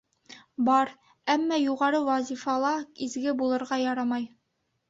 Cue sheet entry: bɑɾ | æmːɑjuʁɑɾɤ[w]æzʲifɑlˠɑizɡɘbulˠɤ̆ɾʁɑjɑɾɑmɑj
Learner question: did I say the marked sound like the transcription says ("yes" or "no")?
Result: yes